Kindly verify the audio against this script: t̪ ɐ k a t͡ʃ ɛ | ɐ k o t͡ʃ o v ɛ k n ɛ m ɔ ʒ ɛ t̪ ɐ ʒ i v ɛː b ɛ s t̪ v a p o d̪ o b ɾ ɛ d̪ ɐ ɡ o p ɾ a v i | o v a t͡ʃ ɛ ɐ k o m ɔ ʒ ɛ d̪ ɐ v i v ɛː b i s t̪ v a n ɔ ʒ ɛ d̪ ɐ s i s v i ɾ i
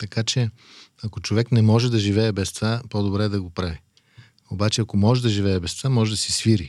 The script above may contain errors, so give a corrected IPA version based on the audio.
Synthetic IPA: t̪ ɐ k a t͡ʃ ɛ | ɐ k o t͡ʃ o v ɛ k n ɛ m ɔ ʒ ɛ d̪ ɐ ʒ i v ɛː b ɛ s t̪ v a p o d̪ o b ɾ ɛ d̪ ɐ ɡ o p ɾ a v i | o b a t͡ʃ ɛ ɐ k o m ɔ ʒ ɛ d̪ ɐ ʒ i v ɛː b ɛ s t̪ v a m ɔ ʒ ɛ d̪ ɐ s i s v i ɾ i